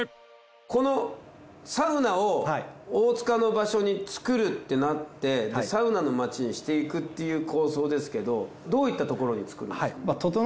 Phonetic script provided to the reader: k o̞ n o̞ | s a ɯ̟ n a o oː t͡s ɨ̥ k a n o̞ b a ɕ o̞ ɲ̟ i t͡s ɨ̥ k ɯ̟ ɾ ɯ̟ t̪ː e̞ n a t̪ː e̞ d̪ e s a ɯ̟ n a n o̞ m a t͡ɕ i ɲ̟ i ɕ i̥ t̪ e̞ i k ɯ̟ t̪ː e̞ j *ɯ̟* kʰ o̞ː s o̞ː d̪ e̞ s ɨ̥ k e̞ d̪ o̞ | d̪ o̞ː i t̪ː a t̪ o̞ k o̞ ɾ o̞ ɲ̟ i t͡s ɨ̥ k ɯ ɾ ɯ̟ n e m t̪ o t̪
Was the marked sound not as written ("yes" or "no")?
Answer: yes